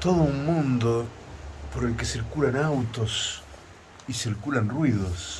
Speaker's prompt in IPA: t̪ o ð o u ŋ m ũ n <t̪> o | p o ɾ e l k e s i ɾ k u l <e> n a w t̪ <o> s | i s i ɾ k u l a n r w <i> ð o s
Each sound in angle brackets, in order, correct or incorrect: incorrect, incorrect, correct, correct

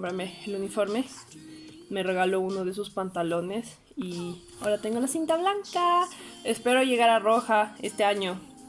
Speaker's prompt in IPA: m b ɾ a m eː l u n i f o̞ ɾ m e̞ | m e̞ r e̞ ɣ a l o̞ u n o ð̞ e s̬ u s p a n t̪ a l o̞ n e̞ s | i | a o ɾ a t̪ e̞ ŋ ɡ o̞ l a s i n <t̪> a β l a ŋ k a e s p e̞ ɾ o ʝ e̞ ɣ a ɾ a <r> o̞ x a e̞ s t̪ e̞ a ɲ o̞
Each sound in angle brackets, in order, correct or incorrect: correct, correct

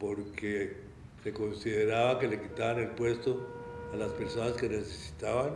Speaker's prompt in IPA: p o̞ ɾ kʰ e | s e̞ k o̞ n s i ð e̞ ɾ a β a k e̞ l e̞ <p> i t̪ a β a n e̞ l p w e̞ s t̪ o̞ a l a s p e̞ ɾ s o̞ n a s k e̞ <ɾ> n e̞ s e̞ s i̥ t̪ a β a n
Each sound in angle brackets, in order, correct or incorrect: incorrect, incorrect

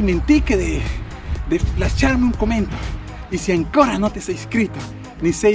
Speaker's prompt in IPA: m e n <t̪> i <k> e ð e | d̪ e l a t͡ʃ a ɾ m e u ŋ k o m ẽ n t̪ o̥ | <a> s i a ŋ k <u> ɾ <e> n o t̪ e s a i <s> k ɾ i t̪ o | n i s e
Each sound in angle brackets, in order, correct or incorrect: correct, correct, incorrect, incorrect, incorrect, correct

